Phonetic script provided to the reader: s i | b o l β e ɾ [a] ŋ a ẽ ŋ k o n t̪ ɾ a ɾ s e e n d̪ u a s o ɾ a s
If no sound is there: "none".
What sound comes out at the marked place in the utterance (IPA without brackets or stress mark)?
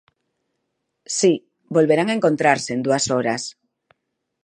a